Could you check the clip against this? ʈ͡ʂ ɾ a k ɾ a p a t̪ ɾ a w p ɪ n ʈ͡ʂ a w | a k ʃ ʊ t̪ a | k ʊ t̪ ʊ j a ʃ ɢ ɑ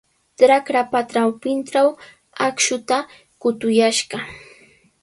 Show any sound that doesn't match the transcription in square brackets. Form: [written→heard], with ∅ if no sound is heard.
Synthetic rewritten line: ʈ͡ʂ ɾ a k ɾ a p a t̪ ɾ a w p ɪ n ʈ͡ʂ a w | a k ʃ ʊ t̪ a | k ʊ t̪ ʊ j a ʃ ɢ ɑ